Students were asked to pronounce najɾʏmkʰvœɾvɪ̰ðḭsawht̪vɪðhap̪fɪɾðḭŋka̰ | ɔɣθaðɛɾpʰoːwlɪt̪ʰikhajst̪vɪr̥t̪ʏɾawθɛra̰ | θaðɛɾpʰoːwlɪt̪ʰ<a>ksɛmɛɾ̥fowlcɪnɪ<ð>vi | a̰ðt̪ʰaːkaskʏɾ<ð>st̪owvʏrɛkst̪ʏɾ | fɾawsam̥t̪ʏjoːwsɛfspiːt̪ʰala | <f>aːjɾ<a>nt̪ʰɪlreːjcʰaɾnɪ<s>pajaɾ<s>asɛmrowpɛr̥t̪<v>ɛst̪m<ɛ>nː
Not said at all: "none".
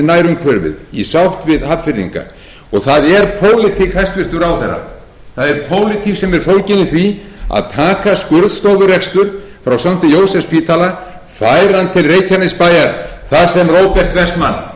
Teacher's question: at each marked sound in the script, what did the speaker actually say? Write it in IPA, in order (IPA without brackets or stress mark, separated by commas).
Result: i, θ, ð, f, a, s, θ, v, a